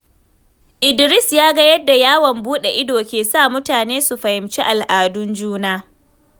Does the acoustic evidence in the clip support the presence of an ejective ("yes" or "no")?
no